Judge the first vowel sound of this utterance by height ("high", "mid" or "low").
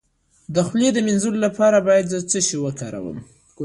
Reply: mid